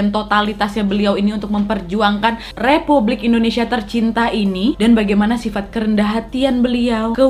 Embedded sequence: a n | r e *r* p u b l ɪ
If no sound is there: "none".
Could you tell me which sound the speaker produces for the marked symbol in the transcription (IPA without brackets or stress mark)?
none